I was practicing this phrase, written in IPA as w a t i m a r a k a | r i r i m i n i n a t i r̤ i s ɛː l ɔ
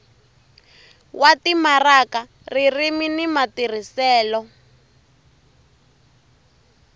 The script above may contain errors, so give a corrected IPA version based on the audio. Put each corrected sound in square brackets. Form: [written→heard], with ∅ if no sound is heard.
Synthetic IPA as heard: w a t i m a r a k a | r i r i m i n i [n→m] a t i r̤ i s ɛː l ɔ